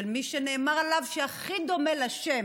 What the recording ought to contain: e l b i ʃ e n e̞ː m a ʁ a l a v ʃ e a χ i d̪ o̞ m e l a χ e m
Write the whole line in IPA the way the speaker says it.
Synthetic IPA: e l m i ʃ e n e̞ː m a ʁ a l a v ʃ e a χ i d̪ o̞ m e l a ʃ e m